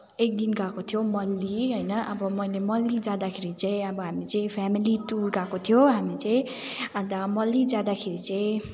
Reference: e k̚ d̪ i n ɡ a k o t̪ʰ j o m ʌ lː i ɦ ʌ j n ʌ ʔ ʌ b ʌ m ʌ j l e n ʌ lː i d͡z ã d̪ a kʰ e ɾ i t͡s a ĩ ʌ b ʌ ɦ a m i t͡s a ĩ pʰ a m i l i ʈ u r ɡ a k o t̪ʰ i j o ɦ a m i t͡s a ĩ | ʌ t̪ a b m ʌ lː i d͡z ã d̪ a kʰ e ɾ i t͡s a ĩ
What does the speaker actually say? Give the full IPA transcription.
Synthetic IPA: e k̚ d̪ i n ɡ a k o t̪ʰ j o m ʌ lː i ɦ ʌ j n ʌ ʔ ʌ b ʌ m ʌ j l e m ʌ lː i d͡z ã d̪ a kʰ e ɾ i t͡s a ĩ ʌ b ʌ ɦ a m i t͡s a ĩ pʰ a m i l i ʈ u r ɡ a k o t̪ʰ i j o ɦ a m i t͡s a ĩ | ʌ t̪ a m ʌ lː i d͡z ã d̪ a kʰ e ɾ i t͡s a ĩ

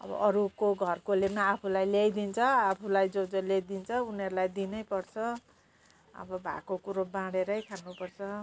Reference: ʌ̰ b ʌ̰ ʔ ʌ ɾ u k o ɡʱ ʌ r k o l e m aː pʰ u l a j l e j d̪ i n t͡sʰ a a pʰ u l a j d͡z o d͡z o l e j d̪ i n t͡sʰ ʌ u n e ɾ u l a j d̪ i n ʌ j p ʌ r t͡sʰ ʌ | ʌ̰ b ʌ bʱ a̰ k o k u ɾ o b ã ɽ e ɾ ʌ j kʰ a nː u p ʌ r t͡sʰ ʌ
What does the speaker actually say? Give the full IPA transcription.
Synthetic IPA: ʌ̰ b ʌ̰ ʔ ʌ ɾ u k o ɡʱ ʌ r k o l e m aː pʰ u l a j l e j d̪ i n t͡sʰ ʌ a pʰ u l a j d͡z o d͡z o l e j d̪ i n t͡sʰ ʌ u n e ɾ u l a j d̪ i n ʌ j p ʌ r t͡sʰ ʌ | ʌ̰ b ʌ bʱ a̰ k o k u ɾ o b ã ɽ e ɾ ʌ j kʰ a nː u p ʌ r t͡sʰ ʌ

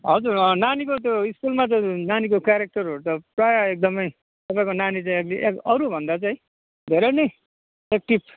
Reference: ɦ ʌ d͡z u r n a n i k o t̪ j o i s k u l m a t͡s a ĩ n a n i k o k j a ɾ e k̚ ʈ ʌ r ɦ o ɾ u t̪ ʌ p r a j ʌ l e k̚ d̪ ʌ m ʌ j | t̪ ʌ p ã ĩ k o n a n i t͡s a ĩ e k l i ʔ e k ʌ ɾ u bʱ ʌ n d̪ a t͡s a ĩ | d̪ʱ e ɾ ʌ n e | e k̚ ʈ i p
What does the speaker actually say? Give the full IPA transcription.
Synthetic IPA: ɦ ʌ d͡z u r n a n i k o t̪ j o i s k u l m a t͡s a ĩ n a n i k o k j a ɾ e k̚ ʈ ʌ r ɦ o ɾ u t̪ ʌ p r a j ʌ e k̚ d̪ ʌ m ʌ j | t̪ ʌ p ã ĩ k o n a n i t͡s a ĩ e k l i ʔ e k ʌ ɾ u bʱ ʌ n d̪ a t͡s a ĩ | d̪ʱ e ɾ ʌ n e | e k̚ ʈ i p

